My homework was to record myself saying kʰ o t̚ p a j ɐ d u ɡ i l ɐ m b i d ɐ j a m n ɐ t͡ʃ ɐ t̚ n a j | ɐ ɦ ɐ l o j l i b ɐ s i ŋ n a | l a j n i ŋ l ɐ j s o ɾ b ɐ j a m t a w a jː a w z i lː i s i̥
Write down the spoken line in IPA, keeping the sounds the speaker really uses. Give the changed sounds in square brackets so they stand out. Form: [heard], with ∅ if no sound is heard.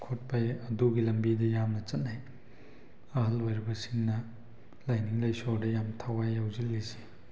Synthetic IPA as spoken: kʰ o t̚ p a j ɐ d u ɡ i l ɐ m b i d ɐ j a m n ɐ t͡ʃ ɐ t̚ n a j | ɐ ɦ ɐ l o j [ɾ] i b ɐ s i ŋ n [ɐ] | l a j n i ŋ l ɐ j s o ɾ [d] ɐ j a m [tʰ] a w a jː a w z i lː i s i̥